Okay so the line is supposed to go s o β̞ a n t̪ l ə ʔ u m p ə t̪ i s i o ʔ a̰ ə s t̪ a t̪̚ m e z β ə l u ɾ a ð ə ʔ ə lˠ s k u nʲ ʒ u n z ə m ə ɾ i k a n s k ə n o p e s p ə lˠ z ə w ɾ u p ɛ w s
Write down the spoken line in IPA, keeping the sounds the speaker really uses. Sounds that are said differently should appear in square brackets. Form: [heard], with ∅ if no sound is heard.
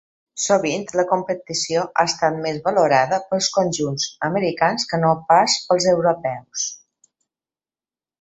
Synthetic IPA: s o β̞ [i] n t̪ l ə [k] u m p ə t̪ i s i o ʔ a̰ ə s t̪ a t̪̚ m e z β ə l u ɾ a ð ə [p] ə lˠ s k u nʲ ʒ u n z ə m ə ɾ i k a n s k ə n o p [a] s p ə lˠ z ə w ɾ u p ɛ w s

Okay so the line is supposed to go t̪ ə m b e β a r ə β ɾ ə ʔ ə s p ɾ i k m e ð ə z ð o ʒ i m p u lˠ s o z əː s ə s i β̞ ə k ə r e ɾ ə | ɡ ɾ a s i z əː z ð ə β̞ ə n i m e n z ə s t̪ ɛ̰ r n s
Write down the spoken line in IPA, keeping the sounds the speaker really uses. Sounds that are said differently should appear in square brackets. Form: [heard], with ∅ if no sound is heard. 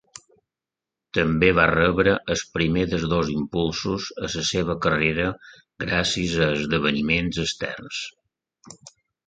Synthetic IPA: t̪ ə m b e β a r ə β ɾ ə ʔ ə s p ɾ i [∅] m e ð ə z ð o [z] i m p u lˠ s [u] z [ə] s ə s [e] β̞ ə k ə r e ɾ ə | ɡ ɾ a s i z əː z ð ə β̞ ə n i m e n z ə s t̪ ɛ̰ r n s

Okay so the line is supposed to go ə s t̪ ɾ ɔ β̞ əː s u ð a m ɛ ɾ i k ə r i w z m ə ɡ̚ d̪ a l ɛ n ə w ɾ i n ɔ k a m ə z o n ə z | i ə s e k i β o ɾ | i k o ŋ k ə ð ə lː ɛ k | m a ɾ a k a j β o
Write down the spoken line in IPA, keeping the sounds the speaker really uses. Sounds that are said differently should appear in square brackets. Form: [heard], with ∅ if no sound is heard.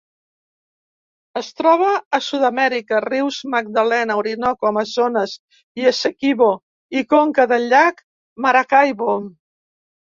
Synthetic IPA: ə s t̪ ɾ ɔ β̞ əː s u ð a m ɛ ɾ i k ə r i w z m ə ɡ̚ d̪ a l ɛ n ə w ɾ i n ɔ k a m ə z o n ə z | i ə s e k i β o [∅] | i k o ŋ k ə ð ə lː [a] k | m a ɾ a k a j β o

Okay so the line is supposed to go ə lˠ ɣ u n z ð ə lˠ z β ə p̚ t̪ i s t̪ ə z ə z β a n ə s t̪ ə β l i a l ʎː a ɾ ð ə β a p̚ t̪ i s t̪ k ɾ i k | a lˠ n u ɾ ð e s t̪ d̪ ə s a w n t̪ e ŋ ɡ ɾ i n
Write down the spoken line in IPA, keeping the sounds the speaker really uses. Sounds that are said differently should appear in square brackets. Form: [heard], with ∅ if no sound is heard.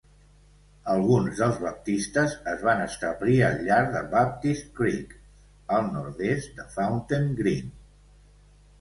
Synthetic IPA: ə lˠ ɣ u n z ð ə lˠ z β ə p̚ t̪ i s t̪ ə z ə z β a n ə s t̪ ə β l i [ə] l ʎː a ɾ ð ə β a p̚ t̪ i s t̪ k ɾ i k | [ə] lˠ n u ɾ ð e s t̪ d̪ ə [f] a w n t̪ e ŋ ɡ ɾ i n

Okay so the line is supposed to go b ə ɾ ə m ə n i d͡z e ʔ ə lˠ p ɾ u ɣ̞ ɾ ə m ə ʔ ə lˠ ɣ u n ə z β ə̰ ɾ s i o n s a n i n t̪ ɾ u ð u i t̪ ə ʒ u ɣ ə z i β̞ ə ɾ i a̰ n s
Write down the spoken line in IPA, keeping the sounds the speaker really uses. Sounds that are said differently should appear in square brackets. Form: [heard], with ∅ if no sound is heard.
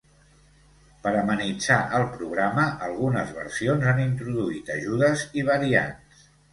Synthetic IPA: [p] ə ɾ ə m ə n i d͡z [a] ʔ ə lˠ p ɾ u ɣ̞ ɾ [a] m ə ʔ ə lˠ ɣ u n ə z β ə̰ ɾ s i o n [z] a n i n t̪ ɾ u ð u i t̪ ə ʒ u [ð] ə z i β̞ ə ɾ i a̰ n s

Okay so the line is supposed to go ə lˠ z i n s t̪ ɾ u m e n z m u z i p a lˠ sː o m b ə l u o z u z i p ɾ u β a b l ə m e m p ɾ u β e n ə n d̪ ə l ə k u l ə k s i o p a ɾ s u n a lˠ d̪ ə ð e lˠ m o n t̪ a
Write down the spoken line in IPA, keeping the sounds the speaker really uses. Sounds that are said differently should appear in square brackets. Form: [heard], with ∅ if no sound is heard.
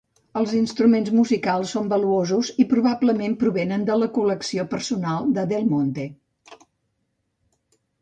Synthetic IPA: ə lˠ z i n s t̪ ɾ u m e n z m u z i [k] a lˠ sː o m b ə l u o z u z i p ɾ u β a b l ə m e m p ɾ u β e n ə n d̪ ə l ə k u l ə k s i o p [ə] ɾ s u n a lˠ d̪ ə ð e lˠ m o n t̪ [e]

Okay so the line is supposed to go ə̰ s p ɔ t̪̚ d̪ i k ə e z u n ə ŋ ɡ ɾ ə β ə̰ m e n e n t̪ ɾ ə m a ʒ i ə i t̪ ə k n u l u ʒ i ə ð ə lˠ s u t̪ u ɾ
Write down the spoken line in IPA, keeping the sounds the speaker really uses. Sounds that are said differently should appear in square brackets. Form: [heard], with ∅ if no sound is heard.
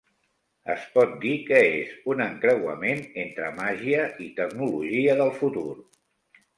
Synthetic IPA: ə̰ s p ɔ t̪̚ d̪ i k ə e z u n ə ŋ [k] ɾ ə [w] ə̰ m e n e n t̪ ɾ ə m a ʒ i ə i t̪ ə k n u l u ʒ i ə ð ə lˠ [f] u t̪ u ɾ

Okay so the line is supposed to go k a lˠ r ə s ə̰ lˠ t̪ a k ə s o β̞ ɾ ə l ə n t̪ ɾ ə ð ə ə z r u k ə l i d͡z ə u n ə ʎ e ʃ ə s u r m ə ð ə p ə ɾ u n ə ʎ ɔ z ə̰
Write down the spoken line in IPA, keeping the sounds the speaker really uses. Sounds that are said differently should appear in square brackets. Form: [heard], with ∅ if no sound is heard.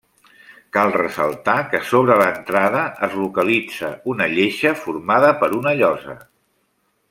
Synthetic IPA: k a lˠ r ə s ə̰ lˠ t̪ a k ə s o β̞ ɾ ə l ə n t̪ ɾ [a] ð ə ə z [l] u k ə l i d͡z ə u n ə ʎ e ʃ ə [f] u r m [a] ð ə p ə ɾ u n ə ʎ ɔ z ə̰

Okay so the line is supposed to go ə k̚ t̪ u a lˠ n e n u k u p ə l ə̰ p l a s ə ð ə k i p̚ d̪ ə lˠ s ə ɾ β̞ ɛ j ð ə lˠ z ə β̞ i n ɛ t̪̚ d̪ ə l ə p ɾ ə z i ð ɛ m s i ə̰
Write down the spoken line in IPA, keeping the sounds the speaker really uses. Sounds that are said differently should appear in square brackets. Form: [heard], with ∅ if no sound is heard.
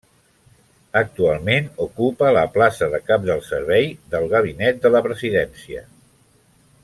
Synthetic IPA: ə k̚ t̪ u a lˠ [m] e n u k u p ə l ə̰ p l a s ə ð ə k [a] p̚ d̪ ə lˠ s ə ɾ β̞ ɛ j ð ə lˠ [ɣ] ə β̞ i n ɛ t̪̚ d̪ ə l ə p ɾ ə z i ð ɛ [n] s i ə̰

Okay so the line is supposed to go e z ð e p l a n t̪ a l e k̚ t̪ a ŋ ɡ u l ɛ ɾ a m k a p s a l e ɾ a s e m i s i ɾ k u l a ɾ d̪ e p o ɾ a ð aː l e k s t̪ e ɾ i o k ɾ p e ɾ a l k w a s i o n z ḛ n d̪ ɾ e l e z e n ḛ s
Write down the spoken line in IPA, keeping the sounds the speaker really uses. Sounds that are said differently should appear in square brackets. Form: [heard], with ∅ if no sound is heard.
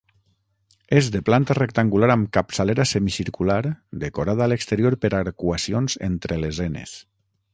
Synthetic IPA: e z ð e p l a n t̪ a [r] e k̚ t̪ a ŋ ɡ u l [a] ɾ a m k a p s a l e ɾ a s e m i s i ɾ k u l a ɾ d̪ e [k] o ɾ a ð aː l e k s t̪ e ɾ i o [∅] ɾ p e ɾ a [ɾ] k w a s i o n z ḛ n [t̪] ɾ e l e z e n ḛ s

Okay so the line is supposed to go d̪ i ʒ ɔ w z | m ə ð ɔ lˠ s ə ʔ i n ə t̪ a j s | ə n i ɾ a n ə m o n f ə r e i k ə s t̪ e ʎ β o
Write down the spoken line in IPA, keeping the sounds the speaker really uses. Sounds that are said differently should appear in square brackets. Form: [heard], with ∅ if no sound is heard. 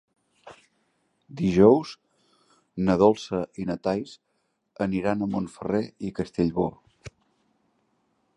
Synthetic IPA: d̪ i ʒ ɔ w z | [n] ə ð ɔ lˠ s ə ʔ i n ə t̪ a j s | ə n i ɾ a n ə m o n f ə r e i k ə s t̪ e ʎ β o

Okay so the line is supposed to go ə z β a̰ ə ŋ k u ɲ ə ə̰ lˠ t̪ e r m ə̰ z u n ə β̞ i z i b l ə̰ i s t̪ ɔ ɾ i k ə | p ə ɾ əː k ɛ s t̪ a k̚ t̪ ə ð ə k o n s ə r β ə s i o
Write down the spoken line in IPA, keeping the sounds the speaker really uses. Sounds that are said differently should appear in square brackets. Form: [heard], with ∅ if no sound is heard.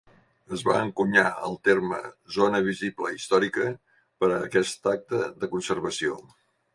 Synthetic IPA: ə z β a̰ ə ŋ k u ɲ [a] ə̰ lˠ t̪ e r m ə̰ z [o] n ə β̞ i z i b l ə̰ i s t̪ ɔ ɾ i k ə | p ə ɾ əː k ɛ s t̪ a k̚ t̪ ə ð ə k [u] n s ə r β ə s i o

